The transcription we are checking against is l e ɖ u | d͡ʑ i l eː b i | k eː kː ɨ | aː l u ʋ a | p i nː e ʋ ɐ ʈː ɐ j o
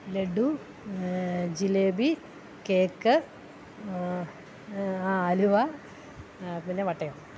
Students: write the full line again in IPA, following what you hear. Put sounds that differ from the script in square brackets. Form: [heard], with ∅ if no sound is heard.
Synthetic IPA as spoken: l e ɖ u | d͡ʑ i l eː b i | k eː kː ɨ | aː l u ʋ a | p i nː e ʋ ɐ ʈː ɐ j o